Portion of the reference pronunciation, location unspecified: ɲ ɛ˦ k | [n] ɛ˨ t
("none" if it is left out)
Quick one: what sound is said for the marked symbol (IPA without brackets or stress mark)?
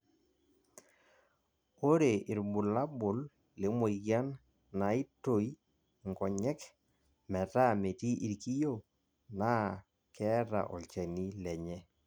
m